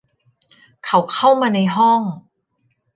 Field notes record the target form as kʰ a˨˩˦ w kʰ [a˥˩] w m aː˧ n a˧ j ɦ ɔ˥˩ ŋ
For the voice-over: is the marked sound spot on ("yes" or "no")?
yes